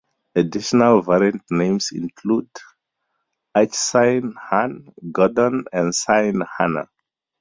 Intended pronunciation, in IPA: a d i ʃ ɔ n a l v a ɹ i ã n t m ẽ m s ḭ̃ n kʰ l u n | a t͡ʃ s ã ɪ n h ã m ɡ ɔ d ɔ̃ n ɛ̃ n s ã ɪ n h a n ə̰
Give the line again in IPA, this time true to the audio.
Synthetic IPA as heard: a d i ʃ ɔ n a l v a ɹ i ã n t n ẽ m s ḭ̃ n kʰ l u d | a t͡ʃ s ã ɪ n h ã n ɡ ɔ d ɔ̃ n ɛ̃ n s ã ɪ n h a n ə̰